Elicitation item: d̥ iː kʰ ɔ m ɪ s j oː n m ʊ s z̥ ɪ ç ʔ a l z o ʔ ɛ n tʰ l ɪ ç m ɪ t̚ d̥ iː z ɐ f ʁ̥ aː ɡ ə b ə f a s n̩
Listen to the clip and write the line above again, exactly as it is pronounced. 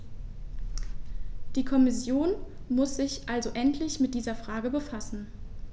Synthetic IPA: d̥ iː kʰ ɔ m ɪ s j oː n m ʊ s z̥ ɪ ç ʔ a l z o ʔ ɛ n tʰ l ɪ ç m ɪ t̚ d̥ iː z ɐ f ʁ̥ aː ɡ ə b ə f a s n̩